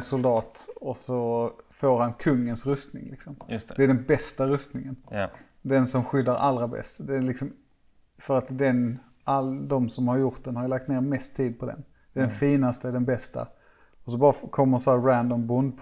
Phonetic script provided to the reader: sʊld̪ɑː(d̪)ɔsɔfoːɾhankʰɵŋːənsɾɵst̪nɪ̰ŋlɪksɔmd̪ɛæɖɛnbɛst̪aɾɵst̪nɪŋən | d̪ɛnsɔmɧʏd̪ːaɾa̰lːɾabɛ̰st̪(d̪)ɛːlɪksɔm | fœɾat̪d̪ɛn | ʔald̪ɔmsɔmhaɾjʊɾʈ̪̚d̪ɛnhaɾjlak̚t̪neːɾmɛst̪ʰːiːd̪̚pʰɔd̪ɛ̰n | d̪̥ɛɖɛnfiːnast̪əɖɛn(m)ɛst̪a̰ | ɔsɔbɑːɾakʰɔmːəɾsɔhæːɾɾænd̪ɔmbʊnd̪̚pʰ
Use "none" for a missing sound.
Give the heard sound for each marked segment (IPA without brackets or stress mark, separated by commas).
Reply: t̪, d̪, b